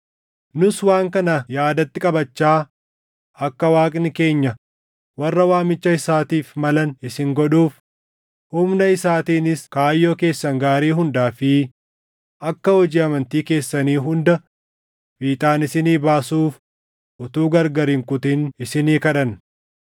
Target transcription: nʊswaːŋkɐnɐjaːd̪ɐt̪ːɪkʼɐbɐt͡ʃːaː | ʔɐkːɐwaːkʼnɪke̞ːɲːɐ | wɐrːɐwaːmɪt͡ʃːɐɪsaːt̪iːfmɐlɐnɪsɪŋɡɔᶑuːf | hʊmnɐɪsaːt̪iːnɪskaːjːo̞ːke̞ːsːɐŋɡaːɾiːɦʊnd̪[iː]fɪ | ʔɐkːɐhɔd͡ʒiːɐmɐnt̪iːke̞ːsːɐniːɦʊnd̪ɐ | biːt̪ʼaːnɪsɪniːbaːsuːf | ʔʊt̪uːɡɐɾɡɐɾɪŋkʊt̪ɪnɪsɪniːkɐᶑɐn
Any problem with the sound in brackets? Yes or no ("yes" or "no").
yes